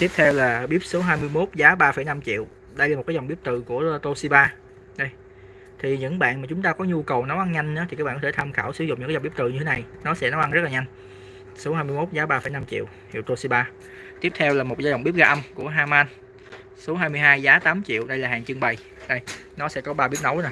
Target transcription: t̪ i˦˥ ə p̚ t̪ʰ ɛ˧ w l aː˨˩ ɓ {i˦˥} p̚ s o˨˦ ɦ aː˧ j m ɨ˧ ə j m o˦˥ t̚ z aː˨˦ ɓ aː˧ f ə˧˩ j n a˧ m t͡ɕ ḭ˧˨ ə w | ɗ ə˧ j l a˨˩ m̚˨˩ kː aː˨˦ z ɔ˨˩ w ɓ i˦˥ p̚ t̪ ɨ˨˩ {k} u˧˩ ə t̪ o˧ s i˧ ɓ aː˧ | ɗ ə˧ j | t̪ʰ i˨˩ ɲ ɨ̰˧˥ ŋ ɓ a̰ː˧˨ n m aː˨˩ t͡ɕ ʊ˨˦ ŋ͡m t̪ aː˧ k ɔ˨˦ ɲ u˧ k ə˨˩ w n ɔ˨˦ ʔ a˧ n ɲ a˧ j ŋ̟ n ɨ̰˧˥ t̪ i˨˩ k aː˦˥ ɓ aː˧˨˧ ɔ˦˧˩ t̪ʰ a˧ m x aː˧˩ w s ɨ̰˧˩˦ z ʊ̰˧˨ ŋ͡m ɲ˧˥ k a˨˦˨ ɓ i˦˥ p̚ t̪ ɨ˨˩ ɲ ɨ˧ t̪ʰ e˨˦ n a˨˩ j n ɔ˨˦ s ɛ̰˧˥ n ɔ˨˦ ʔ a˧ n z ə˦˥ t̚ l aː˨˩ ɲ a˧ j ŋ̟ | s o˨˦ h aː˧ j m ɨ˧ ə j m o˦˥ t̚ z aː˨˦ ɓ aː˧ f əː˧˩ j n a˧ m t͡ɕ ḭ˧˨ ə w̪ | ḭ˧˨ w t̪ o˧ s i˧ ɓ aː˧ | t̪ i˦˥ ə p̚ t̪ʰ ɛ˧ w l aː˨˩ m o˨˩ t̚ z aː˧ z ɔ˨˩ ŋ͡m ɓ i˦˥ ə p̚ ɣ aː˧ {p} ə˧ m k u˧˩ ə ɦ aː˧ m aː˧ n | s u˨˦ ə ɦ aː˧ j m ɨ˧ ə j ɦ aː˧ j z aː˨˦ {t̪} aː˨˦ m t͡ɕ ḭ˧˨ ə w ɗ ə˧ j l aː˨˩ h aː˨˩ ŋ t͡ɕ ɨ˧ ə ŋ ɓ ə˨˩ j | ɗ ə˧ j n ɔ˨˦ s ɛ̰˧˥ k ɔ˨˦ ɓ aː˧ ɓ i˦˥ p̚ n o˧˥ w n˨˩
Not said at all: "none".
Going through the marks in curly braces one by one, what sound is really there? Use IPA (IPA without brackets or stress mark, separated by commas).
i˦˥, k, ʔ, t̪